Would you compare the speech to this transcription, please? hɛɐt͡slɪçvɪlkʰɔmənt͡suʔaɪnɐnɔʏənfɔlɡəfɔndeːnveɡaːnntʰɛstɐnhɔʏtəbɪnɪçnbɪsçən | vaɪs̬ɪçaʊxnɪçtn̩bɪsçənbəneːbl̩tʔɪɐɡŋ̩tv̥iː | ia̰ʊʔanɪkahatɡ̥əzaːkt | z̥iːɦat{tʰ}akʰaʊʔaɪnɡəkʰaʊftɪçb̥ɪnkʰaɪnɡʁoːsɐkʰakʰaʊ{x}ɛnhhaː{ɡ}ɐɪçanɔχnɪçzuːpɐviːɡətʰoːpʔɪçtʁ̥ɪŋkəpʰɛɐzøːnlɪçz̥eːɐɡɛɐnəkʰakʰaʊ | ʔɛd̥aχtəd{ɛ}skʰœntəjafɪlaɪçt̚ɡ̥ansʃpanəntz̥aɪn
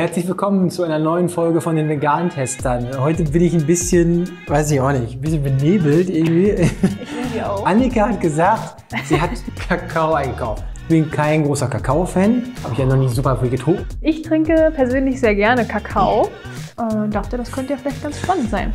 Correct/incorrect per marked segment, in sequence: incorrect: kʰ, incorrect: f, incorrect: b, incorrect: a

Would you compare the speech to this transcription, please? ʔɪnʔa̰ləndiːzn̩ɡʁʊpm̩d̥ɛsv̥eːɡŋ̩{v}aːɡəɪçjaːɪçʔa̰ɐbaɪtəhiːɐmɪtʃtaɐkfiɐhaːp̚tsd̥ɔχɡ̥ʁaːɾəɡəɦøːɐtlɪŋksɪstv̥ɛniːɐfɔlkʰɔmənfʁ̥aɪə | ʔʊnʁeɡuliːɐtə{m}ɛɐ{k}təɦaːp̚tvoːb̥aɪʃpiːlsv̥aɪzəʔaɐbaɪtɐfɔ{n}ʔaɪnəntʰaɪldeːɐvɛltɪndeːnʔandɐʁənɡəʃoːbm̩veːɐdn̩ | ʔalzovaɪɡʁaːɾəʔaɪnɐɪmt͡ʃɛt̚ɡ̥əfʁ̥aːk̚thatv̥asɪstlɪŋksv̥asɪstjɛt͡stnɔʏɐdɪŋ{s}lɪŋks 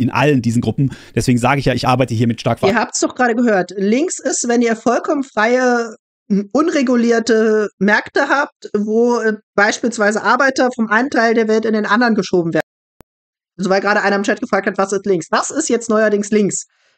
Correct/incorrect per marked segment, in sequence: incorrect: z, correct, correct, incorrect: m, correct

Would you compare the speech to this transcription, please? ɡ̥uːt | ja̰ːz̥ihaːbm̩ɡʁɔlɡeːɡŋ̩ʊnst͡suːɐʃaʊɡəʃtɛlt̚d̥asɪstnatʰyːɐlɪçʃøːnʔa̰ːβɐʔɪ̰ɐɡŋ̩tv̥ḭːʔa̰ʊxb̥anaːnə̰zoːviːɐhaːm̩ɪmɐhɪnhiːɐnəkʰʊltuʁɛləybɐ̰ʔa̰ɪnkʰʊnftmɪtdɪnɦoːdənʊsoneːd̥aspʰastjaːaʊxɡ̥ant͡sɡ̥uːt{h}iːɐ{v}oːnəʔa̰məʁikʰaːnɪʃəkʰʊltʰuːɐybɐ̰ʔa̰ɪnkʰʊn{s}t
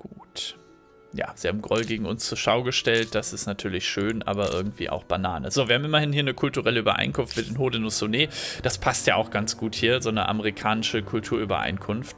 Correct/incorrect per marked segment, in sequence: correct, incorrect: z, incorrect: f

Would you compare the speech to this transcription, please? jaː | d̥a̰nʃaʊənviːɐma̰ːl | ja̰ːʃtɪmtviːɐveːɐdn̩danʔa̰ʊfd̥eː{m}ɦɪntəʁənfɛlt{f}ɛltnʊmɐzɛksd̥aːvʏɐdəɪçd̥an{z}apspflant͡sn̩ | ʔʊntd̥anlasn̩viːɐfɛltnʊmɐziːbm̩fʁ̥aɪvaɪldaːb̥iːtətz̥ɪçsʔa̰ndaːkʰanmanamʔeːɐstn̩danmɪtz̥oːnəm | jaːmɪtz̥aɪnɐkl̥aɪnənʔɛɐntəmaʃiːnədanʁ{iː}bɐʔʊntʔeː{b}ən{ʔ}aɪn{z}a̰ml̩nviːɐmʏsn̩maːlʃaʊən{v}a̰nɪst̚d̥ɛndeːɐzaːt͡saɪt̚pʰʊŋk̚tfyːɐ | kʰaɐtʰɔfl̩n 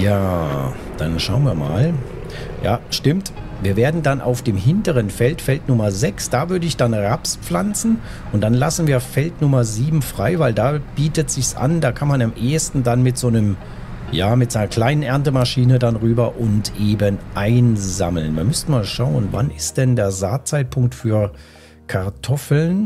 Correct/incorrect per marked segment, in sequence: correct, correct, incorrect: ʁ, incorrect: yː, correct, correct, correct, correct

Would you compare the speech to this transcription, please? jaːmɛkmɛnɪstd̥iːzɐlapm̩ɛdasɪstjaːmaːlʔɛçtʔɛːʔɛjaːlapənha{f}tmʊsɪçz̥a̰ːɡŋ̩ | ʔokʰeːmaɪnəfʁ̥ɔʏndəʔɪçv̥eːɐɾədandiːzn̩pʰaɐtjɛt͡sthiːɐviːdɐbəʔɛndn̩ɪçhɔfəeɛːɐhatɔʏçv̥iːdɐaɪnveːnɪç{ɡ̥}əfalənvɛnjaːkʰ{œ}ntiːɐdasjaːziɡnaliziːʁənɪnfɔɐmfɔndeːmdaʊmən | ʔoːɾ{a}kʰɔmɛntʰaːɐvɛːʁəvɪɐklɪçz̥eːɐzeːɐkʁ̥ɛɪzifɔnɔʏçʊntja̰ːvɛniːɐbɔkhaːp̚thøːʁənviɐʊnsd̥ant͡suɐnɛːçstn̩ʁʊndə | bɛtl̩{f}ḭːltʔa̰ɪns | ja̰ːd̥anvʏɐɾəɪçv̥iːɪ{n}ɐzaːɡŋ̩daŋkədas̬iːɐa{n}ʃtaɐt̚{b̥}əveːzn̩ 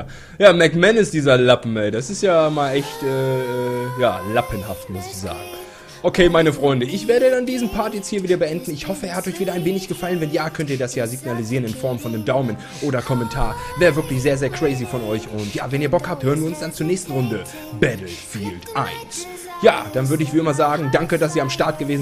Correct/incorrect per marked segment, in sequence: correct, correct, correct, incorrect: ɐ, correct, incorrect: m, incorrect: m, incorrect: ɡ̥

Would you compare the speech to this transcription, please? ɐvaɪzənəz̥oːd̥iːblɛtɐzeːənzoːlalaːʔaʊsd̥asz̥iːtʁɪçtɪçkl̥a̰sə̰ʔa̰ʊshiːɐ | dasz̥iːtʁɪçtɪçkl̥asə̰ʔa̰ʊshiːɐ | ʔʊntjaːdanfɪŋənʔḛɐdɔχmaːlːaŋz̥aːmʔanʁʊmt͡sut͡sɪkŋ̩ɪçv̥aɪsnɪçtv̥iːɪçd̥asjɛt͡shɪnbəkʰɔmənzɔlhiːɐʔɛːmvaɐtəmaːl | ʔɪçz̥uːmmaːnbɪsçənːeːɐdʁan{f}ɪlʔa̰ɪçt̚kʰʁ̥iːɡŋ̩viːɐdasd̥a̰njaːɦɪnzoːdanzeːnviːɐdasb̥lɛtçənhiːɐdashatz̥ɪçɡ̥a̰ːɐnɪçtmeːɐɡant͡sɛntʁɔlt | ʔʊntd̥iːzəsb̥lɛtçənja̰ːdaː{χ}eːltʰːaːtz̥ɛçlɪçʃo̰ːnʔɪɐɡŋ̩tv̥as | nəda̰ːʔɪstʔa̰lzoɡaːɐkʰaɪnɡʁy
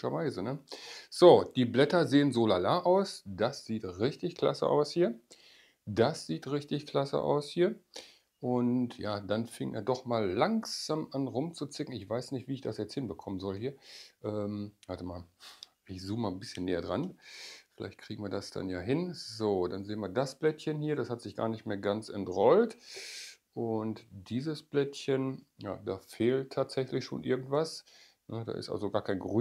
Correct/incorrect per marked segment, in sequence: correct, incorrect: f

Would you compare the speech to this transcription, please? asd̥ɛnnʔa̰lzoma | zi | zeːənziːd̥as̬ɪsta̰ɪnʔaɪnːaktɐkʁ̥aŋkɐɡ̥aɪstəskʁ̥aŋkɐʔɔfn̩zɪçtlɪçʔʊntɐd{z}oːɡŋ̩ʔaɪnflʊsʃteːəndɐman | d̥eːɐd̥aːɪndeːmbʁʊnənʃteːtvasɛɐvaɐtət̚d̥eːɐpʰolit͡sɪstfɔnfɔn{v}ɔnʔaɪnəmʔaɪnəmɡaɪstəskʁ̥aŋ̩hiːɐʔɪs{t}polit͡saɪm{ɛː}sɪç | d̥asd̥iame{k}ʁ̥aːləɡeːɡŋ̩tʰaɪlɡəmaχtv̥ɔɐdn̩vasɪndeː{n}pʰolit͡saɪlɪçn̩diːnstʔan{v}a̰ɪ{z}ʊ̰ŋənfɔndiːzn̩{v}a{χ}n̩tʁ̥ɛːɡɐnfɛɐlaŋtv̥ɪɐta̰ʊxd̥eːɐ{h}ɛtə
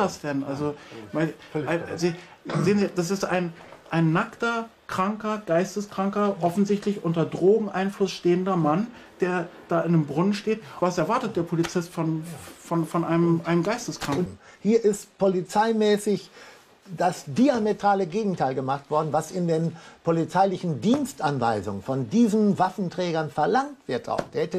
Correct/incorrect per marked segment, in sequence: incorrect: ʁ, incorrect: f, correct, correct, incorrect: t, correct, correct, correct, correct, incorrect: f, correct

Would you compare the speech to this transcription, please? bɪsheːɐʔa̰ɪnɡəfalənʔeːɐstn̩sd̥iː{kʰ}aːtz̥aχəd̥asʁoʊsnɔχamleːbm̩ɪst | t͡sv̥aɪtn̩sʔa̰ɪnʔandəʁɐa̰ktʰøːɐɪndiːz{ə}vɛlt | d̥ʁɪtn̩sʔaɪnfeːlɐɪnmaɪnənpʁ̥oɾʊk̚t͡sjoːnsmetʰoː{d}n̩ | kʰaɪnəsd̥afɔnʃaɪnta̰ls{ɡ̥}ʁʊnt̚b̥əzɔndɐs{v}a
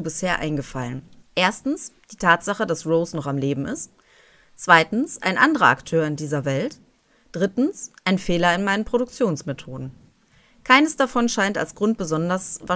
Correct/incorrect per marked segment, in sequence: incorrect: tʰ, incorrect: ɐ, correct, correct, correct

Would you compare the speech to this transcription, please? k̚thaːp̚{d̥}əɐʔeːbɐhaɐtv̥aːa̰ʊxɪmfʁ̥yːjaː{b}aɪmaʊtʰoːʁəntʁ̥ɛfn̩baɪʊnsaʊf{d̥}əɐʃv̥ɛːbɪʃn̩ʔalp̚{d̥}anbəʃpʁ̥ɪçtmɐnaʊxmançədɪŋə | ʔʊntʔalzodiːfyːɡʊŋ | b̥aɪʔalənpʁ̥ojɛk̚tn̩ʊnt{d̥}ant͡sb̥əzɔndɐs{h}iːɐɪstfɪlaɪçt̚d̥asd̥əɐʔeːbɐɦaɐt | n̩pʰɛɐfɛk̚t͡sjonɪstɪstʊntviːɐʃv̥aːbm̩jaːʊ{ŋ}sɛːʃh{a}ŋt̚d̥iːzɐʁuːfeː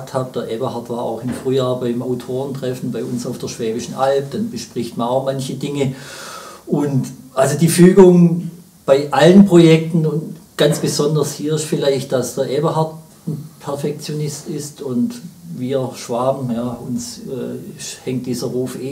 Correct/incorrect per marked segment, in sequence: correct, correct, correct, correct, incorrect: ɡ̥, correct, incorrect: n, incorrect: ɛ

